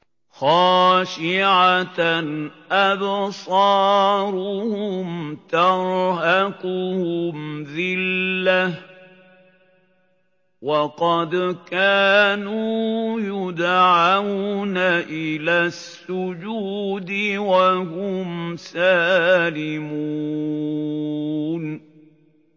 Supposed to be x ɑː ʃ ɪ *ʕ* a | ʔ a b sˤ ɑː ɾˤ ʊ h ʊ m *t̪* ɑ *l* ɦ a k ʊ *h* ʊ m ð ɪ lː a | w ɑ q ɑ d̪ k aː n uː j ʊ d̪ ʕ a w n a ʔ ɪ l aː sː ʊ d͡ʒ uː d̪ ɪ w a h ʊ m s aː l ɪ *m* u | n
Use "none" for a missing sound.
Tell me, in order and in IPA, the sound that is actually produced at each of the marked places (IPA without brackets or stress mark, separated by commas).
ʕ, t̪, ɾ, h, m